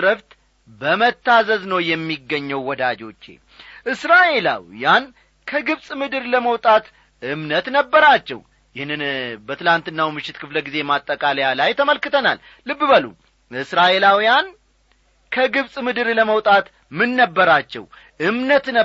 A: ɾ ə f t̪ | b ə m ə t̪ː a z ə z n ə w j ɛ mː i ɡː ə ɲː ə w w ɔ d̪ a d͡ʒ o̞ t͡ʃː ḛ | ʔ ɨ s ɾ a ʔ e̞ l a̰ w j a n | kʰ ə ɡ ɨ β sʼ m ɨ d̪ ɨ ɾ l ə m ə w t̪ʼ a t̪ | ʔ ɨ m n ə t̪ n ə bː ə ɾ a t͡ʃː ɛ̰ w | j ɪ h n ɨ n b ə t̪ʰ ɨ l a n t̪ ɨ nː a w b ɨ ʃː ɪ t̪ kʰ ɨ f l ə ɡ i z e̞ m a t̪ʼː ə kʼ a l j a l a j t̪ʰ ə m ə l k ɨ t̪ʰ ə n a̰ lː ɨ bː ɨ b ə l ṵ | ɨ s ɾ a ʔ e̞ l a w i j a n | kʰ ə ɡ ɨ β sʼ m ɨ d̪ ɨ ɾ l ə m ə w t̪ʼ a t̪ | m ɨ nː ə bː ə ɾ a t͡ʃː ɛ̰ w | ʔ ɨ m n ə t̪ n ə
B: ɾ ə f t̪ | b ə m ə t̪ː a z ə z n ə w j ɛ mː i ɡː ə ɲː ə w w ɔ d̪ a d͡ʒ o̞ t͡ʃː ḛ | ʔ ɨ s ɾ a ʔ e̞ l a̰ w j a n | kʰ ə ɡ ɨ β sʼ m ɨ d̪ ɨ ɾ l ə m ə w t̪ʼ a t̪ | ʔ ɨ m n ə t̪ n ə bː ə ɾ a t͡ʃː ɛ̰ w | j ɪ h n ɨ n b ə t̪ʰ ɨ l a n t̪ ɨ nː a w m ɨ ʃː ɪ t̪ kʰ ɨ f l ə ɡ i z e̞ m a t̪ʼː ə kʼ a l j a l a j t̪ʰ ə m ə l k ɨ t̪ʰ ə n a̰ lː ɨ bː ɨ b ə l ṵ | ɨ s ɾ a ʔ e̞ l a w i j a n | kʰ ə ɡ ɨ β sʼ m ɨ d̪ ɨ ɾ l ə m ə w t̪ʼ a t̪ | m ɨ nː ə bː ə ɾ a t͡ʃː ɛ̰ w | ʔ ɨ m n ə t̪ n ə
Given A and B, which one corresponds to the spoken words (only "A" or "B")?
B